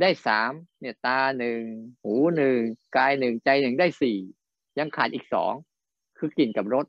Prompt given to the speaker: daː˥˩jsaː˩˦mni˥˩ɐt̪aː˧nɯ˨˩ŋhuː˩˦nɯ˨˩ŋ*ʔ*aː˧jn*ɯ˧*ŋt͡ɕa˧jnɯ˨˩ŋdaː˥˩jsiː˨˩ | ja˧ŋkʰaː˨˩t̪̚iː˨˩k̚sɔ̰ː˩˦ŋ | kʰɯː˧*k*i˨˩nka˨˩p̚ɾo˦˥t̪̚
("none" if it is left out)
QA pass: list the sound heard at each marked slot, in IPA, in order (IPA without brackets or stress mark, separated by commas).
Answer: k, ɯ˨˩, k